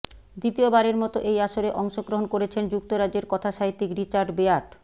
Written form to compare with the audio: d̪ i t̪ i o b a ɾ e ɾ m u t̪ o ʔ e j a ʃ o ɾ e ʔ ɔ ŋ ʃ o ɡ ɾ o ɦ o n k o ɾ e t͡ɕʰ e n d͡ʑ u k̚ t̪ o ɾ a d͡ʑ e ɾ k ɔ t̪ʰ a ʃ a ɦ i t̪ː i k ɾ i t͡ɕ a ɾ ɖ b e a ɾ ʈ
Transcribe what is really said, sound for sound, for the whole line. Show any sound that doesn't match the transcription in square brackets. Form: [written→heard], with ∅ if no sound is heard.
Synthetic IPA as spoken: d̪ i t̪ i o b a ɾ e ɾ m [u→ɔ] t̪ o ʔ e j a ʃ o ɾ e ʔ ɔ ŋ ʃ o ɡ ɾ o ɦ o n k o ɾ e t͡ɕʰ e n d͡ʑ u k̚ t̪ o ɾ a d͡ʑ e ɾ k ɔ t̪ʰ a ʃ a ɦ i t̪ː i k ɾ i t͡ɕ a ɾ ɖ b e a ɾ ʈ